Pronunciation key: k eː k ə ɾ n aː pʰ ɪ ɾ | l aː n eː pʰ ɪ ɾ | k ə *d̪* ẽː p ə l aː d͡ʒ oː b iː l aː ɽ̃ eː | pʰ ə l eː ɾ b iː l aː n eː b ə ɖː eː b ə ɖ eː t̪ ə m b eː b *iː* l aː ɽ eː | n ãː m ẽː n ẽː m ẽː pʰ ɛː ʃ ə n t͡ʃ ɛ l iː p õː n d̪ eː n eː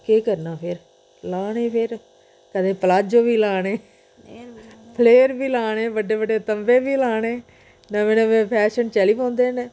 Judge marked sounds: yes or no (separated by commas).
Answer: yes, yes